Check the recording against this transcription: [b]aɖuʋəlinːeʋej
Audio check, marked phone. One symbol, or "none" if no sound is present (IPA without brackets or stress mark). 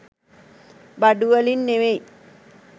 b